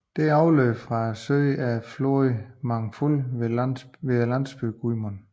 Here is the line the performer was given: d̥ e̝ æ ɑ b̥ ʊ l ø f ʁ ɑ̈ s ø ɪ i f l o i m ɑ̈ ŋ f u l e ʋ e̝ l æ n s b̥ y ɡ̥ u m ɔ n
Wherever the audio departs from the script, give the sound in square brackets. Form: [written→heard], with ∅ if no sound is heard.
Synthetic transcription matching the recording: d̥ e̝ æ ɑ [b̥→∅] ʊ l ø f ʁ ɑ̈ s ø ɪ [i→æ] f l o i m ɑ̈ ŋ f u l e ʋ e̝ l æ n s b̥ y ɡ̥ u m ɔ n